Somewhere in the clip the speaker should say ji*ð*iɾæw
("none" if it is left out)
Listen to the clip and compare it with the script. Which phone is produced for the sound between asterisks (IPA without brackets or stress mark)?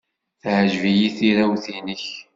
θ